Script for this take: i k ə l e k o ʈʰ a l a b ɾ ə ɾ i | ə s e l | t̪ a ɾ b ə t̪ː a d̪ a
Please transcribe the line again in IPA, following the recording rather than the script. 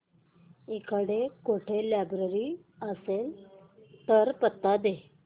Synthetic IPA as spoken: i k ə ɽ e k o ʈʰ e l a b ɾ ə ɾ i | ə s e l | t̪ ə ɾ p ə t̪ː a d̪ e